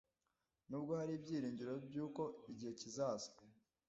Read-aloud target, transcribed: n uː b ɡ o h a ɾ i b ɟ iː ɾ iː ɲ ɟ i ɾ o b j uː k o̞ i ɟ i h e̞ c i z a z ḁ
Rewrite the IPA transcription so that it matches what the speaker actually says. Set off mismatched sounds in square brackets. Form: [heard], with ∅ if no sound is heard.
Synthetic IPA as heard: n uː b ɡ o h a ɾ i b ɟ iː ɾ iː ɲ ɟ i ɾ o b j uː k o̞ i ɟ i h e̞ c i z a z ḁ